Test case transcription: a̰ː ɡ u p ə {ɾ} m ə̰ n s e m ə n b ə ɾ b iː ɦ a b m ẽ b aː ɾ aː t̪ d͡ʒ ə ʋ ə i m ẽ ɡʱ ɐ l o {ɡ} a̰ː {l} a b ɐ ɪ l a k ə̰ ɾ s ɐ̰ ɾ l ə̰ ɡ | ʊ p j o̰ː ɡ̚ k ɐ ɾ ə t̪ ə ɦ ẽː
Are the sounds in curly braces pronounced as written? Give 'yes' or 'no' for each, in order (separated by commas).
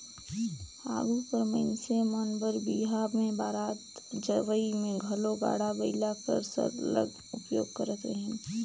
yes, yes, no